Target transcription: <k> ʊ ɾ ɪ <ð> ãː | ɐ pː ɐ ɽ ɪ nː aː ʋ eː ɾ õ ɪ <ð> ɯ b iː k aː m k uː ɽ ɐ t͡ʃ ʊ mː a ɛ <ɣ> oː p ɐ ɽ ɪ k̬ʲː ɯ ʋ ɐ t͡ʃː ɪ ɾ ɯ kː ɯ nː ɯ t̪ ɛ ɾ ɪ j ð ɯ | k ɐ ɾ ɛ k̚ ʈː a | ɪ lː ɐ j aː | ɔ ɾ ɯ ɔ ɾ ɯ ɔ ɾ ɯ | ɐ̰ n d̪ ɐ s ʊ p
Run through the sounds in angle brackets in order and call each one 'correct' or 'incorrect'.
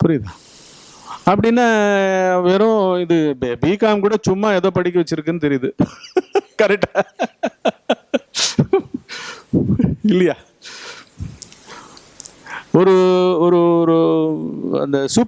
incorrect, correct, correct, incorrect

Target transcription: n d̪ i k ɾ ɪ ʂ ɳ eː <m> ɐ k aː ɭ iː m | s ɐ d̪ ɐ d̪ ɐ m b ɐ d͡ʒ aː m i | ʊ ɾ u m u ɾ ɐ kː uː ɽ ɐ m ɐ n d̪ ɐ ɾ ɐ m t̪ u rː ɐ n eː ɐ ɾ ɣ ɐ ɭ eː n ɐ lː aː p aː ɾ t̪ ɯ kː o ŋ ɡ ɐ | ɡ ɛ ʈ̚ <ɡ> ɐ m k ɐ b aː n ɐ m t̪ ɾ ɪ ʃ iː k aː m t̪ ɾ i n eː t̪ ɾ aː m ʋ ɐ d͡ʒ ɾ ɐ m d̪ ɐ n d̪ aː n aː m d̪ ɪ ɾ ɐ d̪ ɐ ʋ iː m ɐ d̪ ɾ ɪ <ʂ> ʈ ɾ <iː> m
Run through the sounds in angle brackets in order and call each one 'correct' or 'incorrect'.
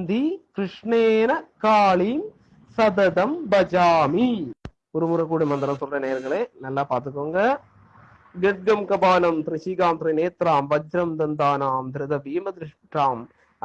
incorrect, correct, correct, incorrect

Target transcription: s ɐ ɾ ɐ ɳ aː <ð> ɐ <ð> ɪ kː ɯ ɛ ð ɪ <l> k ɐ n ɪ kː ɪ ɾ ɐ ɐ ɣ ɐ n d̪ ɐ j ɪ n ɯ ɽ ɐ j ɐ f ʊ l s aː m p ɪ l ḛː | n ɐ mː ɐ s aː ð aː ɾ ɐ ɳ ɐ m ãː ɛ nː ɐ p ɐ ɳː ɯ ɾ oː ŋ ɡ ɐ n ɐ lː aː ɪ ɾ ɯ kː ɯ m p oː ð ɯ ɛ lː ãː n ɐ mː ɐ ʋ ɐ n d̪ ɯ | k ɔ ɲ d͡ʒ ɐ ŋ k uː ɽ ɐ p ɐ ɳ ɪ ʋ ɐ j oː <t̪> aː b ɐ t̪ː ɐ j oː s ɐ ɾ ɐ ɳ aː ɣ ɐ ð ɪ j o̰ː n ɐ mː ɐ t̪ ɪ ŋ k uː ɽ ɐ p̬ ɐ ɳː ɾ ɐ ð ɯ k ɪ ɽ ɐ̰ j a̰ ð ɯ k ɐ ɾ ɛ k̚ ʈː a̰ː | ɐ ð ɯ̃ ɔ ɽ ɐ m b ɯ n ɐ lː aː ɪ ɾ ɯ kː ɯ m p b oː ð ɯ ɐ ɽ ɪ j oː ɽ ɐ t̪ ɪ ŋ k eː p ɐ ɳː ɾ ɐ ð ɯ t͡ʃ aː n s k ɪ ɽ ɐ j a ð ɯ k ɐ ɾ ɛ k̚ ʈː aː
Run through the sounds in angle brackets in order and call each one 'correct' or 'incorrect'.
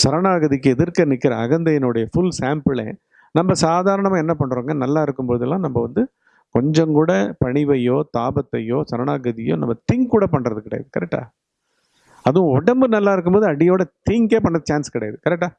incorrect, correct, incorrect, correct

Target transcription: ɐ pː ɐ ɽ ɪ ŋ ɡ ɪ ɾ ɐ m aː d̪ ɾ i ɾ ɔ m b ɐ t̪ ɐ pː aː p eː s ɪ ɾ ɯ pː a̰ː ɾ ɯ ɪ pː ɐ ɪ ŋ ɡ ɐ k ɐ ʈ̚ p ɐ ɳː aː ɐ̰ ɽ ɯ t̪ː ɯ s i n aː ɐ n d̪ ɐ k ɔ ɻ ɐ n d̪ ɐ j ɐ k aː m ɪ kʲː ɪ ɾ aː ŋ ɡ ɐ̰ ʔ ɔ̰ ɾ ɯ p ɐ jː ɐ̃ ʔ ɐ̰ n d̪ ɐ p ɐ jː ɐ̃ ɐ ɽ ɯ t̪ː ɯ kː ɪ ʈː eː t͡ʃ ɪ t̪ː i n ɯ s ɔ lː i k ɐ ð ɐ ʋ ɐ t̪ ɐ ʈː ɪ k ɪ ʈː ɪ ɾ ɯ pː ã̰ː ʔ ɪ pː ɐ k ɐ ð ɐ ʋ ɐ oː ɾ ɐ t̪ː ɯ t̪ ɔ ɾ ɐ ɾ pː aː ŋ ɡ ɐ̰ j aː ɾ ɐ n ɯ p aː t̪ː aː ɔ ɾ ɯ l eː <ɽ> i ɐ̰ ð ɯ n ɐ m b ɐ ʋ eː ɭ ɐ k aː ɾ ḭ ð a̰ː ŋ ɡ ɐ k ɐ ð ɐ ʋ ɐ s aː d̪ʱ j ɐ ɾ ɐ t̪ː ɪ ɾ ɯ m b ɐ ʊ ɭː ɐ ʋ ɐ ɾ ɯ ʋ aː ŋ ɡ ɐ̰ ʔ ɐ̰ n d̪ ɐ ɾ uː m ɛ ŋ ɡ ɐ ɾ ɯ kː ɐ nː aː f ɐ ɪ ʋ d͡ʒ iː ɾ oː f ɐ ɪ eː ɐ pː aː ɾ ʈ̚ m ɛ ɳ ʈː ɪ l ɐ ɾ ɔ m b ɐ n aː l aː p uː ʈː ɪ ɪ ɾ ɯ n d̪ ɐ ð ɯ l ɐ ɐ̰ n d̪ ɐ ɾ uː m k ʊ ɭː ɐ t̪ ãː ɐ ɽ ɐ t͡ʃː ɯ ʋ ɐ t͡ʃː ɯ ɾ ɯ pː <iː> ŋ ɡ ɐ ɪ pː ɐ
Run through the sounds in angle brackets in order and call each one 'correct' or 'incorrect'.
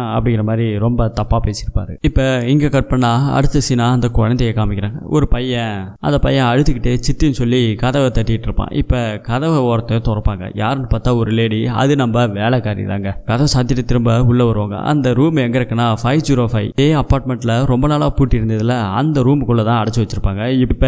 correct, incorrect

